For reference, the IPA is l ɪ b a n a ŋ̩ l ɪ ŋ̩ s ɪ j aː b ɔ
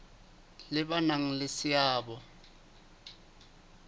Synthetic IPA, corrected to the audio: l ɪ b a n a ŋ̩ l ɪ s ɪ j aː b ɔ